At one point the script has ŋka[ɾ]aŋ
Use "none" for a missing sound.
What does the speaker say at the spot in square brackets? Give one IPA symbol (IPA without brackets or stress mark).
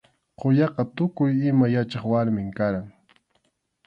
ɾ